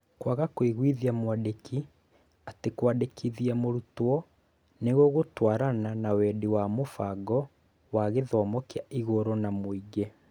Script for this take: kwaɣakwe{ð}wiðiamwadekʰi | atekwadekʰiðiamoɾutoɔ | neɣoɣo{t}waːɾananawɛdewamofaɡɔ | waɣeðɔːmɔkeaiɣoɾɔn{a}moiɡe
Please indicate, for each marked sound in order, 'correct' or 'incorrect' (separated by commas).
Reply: incorrect, correct, correct